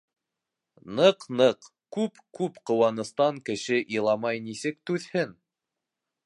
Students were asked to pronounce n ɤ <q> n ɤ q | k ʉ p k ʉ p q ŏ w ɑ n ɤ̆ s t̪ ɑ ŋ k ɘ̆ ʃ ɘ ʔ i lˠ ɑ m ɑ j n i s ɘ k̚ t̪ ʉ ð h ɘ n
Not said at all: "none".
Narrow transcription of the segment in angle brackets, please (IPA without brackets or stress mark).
q